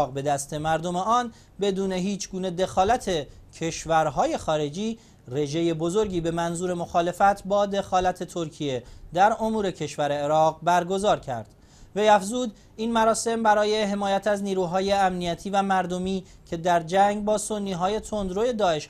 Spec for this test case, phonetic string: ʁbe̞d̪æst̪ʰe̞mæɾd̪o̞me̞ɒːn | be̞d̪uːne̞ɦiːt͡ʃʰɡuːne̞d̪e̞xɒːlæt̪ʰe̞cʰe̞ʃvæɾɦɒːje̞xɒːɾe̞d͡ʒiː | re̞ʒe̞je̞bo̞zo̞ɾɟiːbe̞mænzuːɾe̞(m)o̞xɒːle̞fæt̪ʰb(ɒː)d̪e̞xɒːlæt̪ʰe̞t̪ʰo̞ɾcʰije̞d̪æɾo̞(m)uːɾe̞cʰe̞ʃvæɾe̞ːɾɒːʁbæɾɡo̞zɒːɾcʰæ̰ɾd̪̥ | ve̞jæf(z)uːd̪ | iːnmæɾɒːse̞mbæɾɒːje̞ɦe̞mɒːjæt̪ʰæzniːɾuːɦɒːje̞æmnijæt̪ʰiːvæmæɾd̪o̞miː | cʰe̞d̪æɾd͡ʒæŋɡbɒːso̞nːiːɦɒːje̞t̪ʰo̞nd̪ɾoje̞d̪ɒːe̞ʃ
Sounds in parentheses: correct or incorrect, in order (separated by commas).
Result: correct, correct, correct, correct